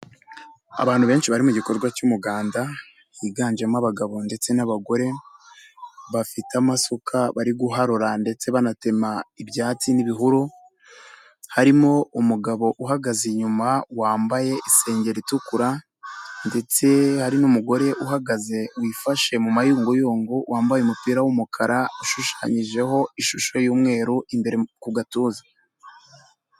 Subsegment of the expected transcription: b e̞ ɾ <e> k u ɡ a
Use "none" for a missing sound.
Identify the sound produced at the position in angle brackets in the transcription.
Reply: e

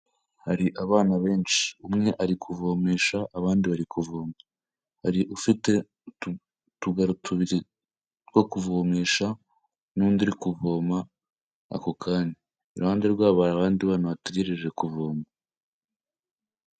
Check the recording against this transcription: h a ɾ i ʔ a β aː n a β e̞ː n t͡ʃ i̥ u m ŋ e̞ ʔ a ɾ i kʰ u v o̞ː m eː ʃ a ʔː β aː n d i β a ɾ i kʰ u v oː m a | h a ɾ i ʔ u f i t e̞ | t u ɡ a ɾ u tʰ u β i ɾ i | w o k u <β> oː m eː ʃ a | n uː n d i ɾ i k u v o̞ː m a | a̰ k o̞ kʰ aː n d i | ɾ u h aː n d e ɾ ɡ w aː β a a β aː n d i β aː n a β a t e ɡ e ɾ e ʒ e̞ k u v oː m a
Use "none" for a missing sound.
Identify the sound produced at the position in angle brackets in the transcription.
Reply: v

